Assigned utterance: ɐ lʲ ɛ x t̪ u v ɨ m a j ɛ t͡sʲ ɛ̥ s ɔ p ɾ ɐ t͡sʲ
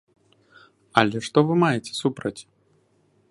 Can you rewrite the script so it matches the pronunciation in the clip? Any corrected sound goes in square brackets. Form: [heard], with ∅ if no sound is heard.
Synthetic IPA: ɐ lʲ ɛ [ʂ] t̪ [ɔ] v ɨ m a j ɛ t͡sʲ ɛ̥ s [u] p ɾ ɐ t͡sʲ